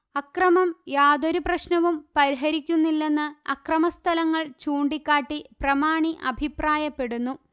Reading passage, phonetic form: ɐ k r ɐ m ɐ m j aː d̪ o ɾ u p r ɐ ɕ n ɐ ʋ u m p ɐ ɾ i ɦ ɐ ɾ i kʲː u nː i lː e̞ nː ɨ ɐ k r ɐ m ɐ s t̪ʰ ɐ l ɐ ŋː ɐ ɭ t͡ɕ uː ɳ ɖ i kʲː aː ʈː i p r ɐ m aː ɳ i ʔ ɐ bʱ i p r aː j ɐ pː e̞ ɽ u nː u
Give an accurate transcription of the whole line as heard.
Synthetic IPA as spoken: ɐ k r ɐ m ɐ m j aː d̪ o ɾ u p r ɐ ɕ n ɐ ʋ u m p ɐ ɾ i ɦ ɐ ɾ i kʲː u nː i lː e̞ nː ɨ ɐ k r ɐ m ɐ s t̪ʰ ɐ l ɐ ŋː ɐ ɭ t͡ɕ uː ɳ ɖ i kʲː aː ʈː i p r ɐ m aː ɳ i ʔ ɐ bʱ i p r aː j ɐ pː e̞ ɽ u nː u